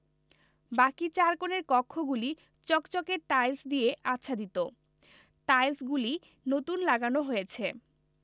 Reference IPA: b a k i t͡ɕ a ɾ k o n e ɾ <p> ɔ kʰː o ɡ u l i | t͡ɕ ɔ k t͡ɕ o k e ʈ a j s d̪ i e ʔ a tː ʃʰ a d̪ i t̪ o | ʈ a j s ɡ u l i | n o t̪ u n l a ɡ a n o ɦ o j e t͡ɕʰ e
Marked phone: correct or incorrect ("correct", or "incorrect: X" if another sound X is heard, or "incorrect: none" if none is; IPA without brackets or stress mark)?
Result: incorrect: k